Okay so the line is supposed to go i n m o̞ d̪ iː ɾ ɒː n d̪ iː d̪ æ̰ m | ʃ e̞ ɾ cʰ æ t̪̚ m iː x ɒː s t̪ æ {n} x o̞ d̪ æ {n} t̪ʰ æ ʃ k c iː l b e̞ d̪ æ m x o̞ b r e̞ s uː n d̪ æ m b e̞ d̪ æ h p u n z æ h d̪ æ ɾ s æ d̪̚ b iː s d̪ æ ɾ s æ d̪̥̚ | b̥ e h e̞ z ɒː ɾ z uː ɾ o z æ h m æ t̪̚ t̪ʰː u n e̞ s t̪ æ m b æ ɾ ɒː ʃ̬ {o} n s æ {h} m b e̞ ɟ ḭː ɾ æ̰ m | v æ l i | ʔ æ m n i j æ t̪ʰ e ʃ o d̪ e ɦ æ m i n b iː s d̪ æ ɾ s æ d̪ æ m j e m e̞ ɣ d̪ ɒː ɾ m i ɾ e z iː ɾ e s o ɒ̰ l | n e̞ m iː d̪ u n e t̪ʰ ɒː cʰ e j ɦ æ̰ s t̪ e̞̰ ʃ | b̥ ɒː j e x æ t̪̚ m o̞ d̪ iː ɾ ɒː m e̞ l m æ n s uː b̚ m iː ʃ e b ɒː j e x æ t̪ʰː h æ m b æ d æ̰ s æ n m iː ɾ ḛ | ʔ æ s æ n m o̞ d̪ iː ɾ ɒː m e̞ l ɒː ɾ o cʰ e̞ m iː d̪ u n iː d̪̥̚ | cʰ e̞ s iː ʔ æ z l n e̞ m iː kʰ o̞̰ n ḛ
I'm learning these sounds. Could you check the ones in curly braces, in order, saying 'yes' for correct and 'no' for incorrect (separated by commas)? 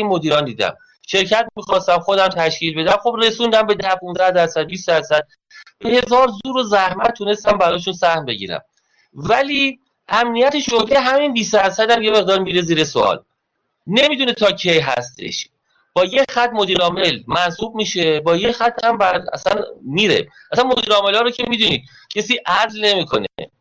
no, no, no, yes